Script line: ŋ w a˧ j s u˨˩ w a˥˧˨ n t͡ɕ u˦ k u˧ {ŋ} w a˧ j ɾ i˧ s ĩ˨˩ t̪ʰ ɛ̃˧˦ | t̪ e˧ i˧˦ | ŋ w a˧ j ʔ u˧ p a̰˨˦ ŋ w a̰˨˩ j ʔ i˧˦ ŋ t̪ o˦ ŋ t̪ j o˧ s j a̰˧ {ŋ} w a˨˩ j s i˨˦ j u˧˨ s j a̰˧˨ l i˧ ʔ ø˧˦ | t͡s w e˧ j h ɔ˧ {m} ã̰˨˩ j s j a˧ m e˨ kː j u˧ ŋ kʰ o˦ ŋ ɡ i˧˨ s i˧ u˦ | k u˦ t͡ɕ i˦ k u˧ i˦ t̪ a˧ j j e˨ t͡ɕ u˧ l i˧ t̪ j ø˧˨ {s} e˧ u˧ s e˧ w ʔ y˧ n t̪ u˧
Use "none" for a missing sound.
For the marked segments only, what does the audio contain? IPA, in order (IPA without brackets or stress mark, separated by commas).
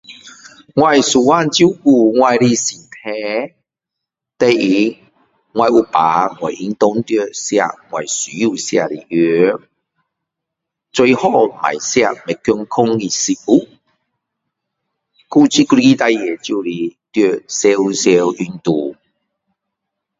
ŋ, ŋ, m, s